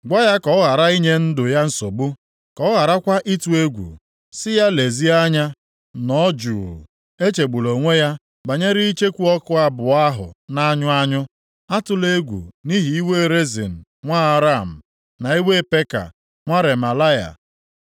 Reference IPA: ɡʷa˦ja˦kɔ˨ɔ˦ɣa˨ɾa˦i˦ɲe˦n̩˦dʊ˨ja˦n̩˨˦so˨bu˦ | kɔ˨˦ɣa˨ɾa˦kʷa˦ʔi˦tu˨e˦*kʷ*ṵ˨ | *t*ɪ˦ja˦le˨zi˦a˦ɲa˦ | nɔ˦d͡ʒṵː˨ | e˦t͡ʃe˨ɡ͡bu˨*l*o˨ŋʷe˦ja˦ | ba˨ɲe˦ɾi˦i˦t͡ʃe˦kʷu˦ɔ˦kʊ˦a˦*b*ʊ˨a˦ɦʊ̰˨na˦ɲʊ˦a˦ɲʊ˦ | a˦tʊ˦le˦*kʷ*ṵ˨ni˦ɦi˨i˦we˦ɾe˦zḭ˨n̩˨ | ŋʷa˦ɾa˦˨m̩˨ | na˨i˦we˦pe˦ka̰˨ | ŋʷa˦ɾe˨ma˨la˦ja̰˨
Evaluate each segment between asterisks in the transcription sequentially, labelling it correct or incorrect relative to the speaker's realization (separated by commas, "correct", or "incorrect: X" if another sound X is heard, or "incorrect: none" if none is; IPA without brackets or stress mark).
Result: incorrect: ɡʷ, incorrect: s, correct, correct, incorrect: ɡʷ